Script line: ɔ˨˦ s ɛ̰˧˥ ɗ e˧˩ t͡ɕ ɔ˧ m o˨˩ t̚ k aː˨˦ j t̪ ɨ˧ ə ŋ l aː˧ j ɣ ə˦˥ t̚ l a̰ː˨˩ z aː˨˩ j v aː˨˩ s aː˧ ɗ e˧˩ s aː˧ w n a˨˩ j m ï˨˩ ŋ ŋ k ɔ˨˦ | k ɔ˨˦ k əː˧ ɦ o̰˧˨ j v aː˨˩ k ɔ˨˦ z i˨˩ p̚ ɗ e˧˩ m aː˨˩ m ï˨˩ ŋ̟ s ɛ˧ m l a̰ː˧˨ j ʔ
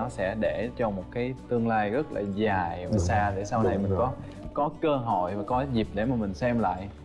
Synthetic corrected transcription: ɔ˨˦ s ɛ̰˧˥ ɗ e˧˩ t͡ɕ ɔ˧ m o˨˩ t̚ k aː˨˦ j t̪ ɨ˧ ə ŋ l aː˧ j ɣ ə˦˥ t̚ l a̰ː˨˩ z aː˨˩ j v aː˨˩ s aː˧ ɗ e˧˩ s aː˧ w n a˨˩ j m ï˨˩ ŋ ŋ k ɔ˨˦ | k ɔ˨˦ k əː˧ ɦ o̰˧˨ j v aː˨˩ k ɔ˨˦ z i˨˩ p̚ ɗ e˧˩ m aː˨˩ m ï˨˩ ŋ̟ s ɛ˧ m l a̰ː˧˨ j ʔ